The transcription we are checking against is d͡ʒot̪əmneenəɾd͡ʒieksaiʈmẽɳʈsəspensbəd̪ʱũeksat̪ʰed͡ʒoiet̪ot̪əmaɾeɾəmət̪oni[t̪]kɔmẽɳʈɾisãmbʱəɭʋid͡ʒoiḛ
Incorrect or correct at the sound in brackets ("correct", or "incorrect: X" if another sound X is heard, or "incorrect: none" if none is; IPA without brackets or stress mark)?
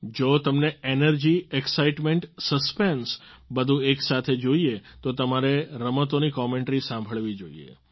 incorrect: none